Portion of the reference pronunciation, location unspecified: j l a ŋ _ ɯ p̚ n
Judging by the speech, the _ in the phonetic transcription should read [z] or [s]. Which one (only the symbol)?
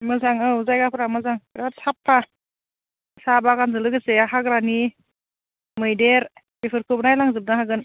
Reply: z